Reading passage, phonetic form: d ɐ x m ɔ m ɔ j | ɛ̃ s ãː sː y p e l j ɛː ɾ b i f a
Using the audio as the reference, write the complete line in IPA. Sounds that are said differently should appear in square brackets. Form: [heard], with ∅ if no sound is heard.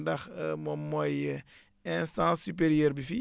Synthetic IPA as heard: d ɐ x m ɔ m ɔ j | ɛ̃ s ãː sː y p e [ɾ] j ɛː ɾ b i f [i]